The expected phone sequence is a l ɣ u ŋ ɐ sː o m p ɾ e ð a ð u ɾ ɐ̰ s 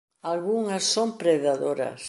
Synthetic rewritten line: a l ɣ u ŋ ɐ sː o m p ɾ e ð a ð o ɾ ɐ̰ s